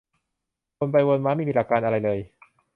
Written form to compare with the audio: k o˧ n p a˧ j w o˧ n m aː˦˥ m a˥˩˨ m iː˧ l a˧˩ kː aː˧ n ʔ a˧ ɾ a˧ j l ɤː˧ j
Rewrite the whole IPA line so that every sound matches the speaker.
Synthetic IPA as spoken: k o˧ n p a˧ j w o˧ n m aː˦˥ m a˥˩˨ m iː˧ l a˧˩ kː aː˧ n ʔ a˧ ɾ a˧ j l ɤː˧ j

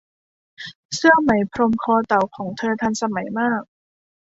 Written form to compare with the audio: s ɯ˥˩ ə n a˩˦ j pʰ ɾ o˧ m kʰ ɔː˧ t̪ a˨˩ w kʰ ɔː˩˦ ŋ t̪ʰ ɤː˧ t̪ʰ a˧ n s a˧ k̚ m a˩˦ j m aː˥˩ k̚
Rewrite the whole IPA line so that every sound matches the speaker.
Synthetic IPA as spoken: s ɯ˥˩ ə m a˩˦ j pʰ ɾ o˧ m kʰ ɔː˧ t̪ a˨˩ w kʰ ɔː˩˦ ŋ t̪ʰ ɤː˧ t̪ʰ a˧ n s a˧ m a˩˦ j m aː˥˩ k̚

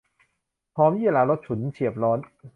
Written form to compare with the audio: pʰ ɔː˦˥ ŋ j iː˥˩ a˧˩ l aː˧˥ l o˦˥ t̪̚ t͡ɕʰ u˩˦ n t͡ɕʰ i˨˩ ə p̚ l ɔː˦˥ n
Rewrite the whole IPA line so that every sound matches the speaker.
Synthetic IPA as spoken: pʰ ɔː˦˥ m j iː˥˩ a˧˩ l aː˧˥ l o˦˥ t̪̚ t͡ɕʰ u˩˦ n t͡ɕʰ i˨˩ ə p̚ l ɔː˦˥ n

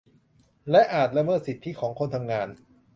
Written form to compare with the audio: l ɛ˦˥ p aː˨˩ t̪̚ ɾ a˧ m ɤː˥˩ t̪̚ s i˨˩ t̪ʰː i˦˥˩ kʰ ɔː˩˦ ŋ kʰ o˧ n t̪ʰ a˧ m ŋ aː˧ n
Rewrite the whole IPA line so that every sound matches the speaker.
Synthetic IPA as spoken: l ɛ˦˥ ʔ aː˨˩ t̪̚ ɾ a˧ m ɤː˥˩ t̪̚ s i˨˩ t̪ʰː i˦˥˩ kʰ ɔː˩˦ ŋ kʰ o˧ n t̪ʰ a˧ m ŋ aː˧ n

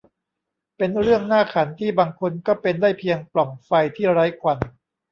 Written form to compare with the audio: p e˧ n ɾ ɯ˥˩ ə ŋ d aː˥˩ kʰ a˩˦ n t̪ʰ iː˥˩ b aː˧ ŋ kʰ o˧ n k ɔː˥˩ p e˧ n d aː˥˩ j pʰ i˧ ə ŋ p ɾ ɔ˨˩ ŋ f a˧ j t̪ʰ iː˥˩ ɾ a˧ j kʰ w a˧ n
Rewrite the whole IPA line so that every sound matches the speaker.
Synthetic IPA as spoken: p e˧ n ɾ ɯ˥˩ ə ŋ n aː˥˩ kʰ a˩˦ n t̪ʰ iː˥˩ b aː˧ ŋ kʰ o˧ n k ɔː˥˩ p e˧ n d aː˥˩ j pʰ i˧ ə ŋ p l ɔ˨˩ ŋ f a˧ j t̪ʰ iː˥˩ ɾ a˦˥ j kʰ w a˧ n

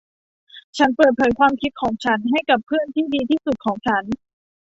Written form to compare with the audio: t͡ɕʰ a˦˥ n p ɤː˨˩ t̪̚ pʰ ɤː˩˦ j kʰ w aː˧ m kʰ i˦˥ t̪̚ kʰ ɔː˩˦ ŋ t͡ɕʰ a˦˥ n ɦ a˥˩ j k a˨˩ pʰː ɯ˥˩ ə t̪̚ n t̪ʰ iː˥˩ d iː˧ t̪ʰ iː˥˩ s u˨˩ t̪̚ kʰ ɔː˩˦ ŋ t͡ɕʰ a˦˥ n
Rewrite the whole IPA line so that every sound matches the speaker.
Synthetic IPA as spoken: t͡ɕʰ a˦˥ n p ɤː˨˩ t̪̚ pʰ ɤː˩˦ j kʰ w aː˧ m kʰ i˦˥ t̪̚ kʰ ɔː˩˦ ŋ t͡ɕʰ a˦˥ n ɦ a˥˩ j k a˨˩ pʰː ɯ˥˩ ə n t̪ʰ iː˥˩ d iː˧ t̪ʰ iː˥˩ s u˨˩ t̪̚ kʰ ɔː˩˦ ŋ t͡ɕʰ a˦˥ n

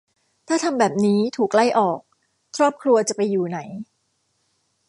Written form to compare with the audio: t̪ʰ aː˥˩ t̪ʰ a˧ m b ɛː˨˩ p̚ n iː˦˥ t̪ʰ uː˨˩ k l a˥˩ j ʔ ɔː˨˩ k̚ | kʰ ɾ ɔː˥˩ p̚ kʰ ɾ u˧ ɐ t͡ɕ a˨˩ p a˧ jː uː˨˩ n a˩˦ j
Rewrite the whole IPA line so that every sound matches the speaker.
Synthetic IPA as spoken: t̪ʰ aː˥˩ t̪ʰ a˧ m b ɛː˨˩ p̚ n iː˦˥ t̪ʰ uː˨˩ k l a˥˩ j ʔ ɔː˨˩ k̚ | kʰ ɾ ɔː˥˩ p̚ kʰ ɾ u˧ ɐ t͡ɕ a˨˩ p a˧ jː uː˨˩ n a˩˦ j

